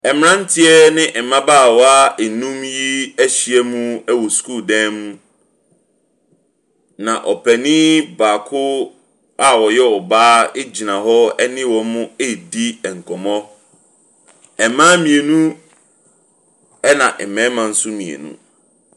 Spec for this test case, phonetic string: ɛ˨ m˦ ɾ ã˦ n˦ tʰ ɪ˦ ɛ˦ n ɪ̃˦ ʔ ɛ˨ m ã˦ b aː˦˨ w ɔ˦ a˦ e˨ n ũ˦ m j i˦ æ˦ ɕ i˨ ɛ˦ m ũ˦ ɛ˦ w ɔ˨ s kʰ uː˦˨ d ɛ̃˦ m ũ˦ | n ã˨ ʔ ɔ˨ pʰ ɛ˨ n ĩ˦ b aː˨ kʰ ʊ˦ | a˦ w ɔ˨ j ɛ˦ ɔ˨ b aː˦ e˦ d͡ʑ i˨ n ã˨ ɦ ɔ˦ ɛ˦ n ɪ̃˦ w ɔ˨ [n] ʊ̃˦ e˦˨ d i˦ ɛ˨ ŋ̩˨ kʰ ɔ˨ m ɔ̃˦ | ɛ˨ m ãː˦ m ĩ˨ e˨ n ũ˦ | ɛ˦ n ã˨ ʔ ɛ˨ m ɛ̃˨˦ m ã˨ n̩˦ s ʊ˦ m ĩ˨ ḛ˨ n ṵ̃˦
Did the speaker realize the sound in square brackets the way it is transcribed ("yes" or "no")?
no